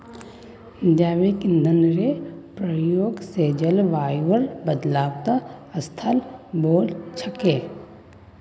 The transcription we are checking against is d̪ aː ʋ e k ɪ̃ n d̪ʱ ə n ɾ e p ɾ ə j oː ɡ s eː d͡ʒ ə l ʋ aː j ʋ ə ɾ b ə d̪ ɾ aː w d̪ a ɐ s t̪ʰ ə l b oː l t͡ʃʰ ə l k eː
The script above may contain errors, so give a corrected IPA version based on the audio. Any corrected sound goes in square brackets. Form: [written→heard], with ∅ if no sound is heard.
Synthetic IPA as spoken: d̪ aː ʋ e k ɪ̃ n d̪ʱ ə n ɾ e p ɾ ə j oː ɡ s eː d͡ʒ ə l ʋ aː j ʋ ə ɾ b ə d̪ [ɾ→l] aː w [d̪→t̪] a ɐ s t̪ʰ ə l b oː l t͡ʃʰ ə [l→∅] k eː